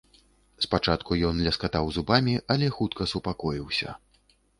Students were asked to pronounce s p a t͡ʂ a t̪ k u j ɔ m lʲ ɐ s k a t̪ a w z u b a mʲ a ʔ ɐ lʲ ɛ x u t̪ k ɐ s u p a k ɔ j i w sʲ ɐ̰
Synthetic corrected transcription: s p a t͡ʂ a t̪ k u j ɔ n lʲ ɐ s k a t̪ a w z u b a mʲ i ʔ ɐ lʲ ɛ x u t̪ k ɐ s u p a k ɔ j i w sʲ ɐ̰